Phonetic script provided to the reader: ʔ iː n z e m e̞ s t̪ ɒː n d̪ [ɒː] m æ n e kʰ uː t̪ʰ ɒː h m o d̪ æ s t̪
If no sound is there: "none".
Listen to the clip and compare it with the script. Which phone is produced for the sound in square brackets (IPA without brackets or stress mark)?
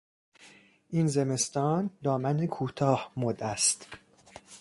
ɒː